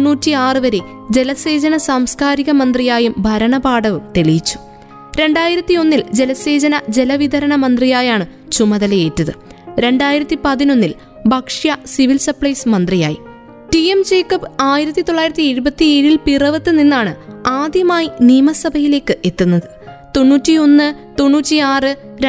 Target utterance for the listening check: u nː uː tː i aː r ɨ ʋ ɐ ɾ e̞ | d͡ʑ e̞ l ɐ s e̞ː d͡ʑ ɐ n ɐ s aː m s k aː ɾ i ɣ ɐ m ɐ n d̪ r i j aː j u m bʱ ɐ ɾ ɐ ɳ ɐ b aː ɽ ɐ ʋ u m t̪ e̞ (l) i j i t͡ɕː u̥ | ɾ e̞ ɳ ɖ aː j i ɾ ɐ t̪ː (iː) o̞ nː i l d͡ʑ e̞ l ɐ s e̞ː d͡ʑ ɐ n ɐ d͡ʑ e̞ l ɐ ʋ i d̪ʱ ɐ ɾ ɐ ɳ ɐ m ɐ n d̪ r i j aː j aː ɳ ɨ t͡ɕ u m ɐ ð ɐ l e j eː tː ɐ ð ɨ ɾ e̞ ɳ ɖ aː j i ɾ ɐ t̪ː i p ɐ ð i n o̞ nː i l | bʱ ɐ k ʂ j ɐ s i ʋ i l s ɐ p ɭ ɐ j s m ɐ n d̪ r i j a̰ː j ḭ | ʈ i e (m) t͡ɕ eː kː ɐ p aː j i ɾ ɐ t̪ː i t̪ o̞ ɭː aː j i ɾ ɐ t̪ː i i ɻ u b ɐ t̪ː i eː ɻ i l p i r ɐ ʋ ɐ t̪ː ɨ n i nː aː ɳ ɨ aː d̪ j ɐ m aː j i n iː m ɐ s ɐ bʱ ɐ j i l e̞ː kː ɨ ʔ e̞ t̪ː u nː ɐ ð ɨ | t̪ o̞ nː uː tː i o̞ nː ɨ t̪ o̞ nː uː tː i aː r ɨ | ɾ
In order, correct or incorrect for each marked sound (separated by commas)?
incorrect, incorrect, correct